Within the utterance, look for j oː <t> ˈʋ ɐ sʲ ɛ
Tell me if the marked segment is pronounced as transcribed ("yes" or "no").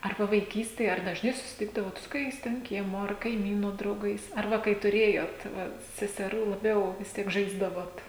yes